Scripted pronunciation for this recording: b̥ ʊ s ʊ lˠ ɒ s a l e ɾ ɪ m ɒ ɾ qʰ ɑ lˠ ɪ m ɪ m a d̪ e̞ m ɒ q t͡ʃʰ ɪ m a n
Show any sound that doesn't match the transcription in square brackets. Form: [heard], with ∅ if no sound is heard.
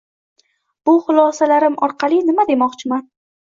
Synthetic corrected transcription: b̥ ʊ [χ] ʊ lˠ ɒ s a l [a] ɾ ɪ m ɒ ɾ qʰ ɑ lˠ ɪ [n] ɪ m a d̪ e̞ m ɒ q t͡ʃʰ ɪ m a n